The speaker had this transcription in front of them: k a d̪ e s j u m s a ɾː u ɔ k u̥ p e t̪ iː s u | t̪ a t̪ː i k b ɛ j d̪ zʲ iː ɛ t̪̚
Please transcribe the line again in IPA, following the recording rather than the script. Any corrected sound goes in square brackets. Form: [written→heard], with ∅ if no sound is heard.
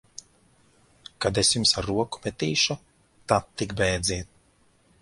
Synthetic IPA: k a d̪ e s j u m s a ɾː u ɔ k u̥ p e t̪ iː [s→ʃ] u | t̪ a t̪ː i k b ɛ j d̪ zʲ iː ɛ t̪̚